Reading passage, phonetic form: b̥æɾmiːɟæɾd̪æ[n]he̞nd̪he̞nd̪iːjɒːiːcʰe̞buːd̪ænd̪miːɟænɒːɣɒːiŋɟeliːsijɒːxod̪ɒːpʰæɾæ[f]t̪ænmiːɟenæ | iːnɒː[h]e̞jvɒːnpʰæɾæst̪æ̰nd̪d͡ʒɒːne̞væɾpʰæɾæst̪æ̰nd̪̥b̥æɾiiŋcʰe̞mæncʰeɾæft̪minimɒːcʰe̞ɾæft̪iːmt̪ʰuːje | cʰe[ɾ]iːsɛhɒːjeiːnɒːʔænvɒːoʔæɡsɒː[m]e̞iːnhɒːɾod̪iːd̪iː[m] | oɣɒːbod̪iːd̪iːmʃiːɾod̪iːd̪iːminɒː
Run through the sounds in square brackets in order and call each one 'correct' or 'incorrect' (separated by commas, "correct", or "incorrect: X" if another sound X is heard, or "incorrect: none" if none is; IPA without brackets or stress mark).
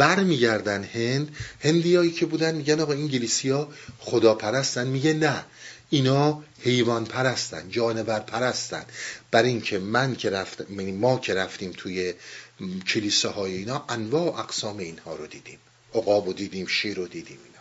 correct, incorrect: s, correct, incorrect: l, correct, correct